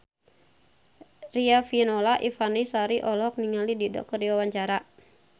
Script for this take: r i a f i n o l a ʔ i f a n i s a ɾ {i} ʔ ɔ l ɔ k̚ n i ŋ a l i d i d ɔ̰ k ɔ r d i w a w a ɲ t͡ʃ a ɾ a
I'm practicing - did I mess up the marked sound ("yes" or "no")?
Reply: no